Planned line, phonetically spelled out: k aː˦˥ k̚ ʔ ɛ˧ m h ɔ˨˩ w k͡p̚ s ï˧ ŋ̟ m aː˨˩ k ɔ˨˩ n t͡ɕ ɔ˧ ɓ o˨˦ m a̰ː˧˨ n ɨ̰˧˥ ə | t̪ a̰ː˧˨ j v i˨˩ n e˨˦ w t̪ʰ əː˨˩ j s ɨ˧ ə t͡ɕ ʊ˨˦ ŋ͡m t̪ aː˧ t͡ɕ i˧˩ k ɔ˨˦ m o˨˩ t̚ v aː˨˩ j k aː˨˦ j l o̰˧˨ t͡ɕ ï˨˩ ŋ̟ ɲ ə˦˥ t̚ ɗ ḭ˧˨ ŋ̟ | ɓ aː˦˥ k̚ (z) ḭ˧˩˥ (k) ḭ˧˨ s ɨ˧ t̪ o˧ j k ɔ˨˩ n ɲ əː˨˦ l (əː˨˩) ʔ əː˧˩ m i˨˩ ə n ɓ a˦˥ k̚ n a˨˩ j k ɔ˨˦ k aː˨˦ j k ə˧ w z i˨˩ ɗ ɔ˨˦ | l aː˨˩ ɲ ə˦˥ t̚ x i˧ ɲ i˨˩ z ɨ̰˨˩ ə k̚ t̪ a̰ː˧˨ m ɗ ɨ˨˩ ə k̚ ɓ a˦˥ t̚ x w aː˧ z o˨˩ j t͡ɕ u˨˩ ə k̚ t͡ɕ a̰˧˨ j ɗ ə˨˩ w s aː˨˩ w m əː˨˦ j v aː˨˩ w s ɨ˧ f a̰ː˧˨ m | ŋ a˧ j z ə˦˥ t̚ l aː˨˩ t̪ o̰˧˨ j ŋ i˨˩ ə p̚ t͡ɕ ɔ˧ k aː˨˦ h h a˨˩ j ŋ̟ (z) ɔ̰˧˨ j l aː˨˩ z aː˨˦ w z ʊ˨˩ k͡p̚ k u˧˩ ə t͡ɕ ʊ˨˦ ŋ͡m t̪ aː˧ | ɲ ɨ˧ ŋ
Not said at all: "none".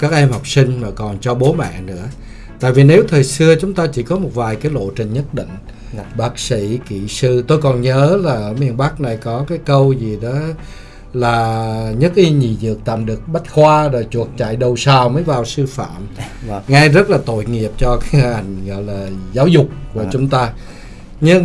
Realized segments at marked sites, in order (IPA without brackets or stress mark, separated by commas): s, k, aː˨˩, ɣ